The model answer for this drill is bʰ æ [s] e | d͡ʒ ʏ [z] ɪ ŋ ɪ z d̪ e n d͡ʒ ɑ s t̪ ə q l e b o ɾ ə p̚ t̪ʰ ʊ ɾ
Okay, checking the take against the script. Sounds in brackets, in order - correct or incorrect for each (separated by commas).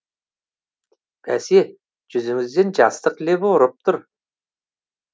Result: correct, correct